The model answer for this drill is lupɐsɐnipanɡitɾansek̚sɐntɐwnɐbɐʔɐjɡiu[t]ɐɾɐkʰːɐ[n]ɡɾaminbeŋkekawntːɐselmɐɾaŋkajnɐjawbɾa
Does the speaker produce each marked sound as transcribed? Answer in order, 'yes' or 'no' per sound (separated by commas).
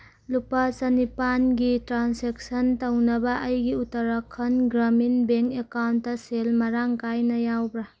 yes, yes